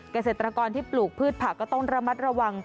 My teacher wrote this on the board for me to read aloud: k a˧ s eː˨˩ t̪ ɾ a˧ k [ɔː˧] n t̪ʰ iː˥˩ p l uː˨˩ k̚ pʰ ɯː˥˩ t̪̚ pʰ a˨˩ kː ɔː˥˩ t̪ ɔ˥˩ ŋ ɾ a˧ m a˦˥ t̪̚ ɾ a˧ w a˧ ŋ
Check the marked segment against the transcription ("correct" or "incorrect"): correct